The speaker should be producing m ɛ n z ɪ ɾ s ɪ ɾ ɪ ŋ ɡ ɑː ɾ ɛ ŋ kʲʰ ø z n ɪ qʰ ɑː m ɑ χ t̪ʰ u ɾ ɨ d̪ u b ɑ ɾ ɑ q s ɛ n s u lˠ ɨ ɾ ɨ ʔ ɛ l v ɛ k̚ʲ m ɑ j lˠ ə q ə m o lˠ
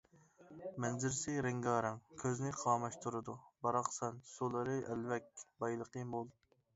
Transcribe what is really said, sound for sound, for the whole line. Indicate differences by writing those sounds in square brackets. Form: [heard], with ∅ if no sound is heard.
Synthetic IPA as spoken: m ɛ n z ɪ ɾ s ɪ ɾ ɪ ŋ ɡ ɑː ɾ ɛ ŋ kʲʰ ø z n ɪ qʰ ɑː m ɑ [ʃ] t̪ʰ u ɾ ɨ d̪ u b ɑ ɾ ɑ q s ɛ n s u lˠ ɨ ɾ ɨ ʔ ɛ l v ɛ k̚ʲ [b] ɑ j lˠ ə q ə m o lˠ